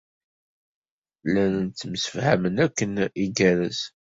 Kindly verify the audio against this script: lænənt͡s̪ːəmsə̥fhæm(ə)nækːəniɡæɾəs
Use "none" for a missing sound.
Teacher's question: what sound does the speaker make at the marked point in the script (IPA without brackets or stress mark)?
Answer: ə